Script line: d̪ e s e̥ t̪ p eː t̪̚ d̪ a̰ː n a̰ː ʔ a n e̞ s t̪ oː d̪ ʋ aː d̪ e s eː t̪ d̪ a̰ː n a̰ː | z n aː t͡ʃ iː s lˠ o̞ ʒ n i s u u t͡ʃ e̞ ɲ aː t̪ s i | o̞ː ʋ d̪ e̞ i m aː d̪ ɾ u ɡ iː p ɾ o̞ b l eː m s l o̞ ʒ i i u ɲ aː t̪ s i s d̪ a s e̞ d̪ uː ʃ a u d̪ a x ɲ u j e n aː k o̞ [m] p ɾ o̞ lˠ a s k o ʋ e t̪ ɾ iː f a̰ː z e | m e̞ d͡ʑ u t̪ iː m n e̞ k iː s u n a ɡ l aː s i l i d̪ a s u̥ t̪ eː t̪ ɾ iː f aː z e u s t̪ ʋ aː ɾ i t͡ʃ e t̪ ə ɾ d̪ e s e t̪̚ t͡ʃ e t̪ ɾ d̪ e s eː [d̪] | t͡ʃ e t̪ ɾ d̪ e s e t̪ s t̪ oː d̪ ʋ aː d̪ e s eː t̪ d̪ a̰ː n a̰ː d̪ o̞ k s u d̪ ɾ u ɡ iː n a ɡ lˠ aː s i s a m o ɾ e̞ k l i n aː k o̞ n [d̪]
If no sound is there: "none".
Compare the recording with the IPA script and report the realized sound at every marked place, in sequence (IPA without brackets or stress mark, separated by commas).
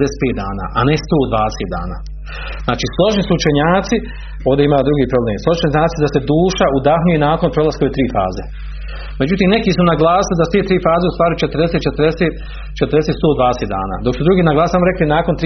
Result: n, t̪, t̪